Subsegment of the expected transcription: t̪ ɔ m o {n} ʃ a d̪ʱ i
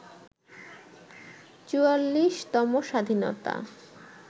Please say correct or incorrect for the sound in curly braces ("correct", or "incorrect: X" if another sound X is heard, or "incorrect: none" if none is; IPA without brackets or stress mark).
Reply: incorrect: none